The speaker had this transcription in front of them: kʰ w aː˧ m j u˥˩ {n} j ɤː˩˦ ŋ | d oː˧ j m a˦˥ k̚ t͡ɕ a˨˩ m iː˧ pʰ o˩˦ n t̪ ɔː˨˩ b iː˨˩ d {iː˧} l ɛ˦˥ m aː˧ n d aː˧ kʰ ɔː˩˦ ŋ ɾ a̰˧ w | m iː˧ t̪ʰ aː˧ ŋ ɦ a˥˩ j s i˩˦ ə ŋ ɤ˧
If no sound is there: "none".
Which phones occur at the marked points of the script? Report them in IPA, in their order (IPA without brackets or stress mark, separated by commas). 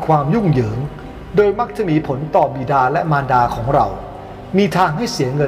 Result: ŋ, aː˧